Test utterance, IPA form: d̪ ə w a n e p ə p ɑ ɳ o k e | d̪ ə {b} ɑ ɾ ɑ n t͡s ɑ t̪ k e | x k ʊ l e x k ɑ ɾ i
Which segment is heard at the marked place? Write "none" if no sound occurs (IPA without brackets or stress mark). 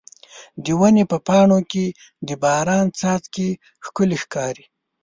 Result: b